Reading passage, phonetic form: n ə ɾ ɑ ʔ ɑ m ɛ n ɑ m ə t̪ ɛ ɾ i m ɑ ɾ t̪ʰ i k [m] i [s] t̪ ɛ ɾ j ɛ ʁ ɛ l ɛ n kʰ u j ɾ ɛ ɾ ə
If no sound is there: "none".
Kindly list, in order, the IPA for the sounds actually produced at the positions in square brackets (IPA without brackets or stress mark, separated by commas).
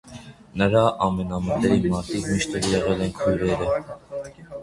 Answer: m, ʃ